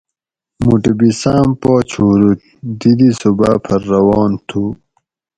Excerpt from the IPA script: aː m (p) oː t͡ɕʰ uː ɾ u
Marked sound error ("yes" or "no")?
no